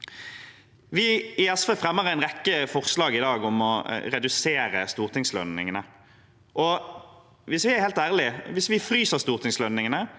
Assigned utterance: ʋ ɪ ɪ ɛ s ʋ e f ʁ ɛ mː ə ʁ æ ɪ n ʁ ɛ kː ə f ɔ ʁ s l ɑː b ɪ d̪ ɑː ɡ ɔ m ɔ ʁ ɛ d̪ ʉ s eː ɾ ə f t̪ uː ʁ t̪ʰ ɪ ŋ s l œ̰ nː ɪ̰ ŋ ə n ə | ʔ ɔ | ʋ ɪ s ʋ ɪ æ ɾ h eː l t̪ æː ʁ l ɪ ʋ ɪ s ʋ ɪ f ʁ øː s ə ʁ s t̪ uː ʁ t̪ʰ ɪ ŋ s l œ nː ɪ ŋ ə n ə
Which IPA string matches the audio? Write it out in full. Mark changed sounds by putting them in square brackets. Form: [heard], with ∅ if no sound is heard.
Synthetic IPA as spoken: ʋ ɪ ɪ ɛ s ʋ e f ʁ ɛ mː ə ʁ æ ɪ n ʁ ɛ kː ə f ɔ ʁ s l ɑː [ɡ] ɪ d̪ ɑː ɡ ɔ m ɔ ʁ ɛ d̪ ʉ s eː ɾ ə [s] t̪ uː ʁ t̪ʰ ɪ ŋ s l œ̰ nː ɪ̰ ŋ ə n ə | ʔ ɔ | ʋ ɪ s ʋ ɪ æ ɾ h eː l t̪ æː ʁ l ɪ ʋ ɪ s ʋ ɪ f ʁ [yː] s ə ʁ s t̪ uː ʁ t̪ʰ ɪ ŋ s l œ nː ɪ ŋ ə n ə